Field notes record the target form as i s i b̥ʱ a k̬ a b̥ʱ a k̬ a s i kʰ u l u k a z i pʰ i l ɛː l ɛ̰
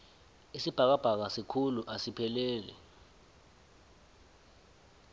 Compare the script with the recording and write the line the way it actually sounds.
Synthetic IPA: i s i b̥ʱ a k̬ a b̥ʱ a k̬ a s i kʰ u l u ʔ a s i pʰ ɛ l ɛː l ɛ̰